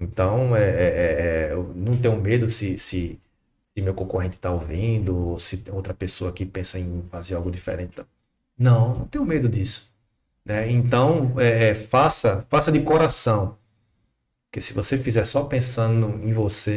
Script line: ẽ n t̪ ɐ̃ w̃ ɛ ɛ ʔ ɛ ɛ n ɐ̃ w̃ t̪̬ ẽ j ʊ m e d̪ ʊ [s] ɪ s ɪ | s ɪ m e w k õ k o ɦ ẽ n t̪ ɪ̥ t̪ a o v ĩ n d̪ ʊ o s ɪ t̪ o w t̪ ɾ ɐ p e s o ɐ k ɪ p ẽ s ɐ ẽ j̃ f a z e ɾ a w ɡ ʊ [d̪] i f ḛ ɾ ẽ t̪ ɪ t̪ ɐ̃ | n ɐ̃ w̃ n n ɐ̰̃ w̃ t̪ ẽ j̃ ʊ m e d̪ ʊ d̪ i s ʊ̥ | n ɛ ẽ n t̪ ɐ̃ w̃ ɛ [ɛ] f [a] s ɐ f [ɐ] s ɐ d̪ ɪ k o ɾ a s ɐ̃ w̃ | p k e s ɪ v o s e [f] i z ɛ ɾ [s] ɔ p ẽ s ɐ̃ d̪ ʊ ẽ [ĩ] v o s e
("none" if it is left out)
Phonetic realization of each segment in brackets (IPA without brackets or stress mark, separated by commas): s, d̪, ɛ, a, a, f, s, j̃